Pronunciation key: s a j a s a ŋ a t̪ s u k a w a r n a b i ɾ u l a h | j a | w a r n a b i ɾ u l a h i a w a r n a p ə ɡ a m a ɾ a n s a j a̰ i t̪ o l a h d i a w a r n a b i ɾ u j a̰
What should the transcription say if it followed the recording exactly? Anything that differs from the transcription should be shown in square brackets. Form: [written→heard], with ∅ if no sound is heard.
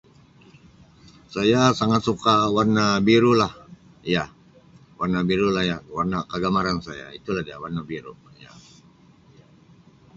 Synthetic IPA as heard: s a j a s a ŋ a t̪ s u k a w a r n a b i ɾ u l a h | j a | w a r n a b i ɾ u l a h [i→j] a w a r n a [p→k] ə ɡ a m a ɾ a n s a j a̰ i t̪ [o→u] l a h d i a w a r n a b i ɾ u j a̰